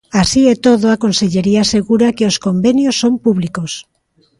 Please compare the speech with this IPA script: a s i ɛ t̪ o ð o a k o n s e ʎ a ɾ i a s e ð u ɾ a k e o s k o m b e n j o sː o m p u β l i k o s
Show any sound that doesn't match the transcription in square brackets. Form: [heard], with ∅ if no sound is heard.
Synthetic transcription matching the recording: a s i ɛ t̪ o ð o a k o n s e ʎ [e] ɾ i a s e [ɣ] u ɾ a k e o s k o m b e n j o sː o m p u β l i k o s